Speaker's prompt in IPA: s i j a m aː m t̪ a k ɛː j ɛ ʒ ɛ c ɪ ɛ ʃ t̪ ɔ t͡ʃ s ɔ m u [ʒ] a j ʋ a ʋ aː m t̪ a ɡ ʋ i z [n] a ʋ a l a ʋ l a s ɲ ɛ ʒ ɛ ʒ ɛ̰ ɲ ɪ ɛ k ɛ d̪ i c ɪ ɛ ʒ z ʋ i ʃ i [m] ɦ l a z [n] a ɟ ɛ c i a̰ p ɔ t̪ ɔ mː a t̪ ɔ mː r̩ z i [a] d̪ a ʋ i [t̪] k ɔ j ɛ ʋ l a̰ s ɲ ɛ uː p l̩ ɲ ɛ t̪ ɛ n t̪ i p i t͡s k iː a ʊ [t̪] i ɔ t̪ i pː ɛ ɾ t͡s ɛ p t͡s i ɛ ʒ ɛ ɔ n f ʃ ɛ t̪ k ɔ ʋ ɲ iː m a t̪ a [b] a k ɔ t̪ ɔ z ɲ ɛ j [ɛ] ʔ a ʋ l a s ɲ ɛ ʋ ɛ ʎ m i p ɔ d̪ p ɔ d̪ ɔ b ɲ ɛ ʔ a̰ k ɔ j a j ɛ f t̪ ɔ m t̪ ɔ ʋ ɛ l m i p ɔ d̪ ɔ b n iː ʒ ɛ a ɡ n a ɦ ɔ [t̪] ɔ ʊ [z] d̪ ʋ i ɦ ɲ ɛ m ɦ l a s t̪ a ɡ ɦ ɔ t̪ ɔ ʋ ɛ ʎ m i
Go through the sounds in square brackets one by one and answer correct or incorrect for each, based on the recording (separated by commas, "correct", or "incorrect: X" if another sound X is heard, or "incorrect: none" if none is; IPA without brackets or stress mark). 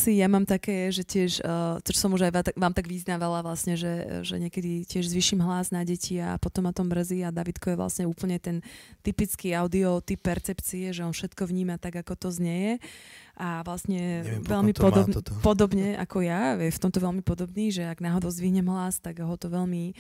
correct, correct, correct, correct, correct, correct, incorrect: d̪, incorrect: ɡ, correct, incorrect: d̪, correct